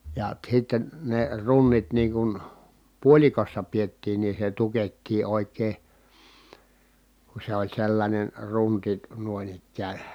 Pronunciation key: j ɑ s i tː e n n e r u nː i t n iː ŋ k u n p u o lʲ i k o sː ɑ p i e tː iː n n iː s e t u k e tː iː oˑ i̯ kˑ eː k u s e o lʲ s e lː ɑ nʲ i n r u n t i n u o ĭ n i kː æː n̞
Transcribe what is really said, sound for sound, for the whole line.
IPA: j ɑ s i tː e n n e r u nː i t n iː ŋ k u n p u o lʲ i k o sː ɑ p i e tː iː n n iː s e t u k e tː iː oˑ i̯ kˑ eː k u s e o lʲ s e lː ɑ nʲ e n r u n t i n u o ĭ n i kː æː n̞